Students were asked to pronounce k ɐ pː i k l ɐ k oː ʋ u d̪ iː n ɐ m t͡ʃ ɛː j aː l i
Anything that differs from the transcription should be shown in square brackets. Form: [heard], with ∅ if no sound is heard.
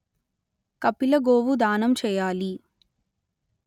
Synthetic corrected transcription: k ɐ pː i [∅] l ɐ [ɡ] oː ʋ u d̪ [aː] n ɐ m t͡ʃ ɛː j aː l i